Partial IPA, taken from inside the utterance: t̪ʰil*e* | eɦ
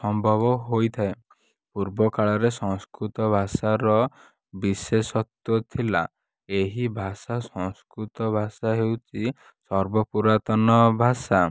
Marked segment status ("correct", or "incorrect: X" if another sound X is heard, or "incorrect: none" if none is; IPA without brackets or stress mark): incorrect: a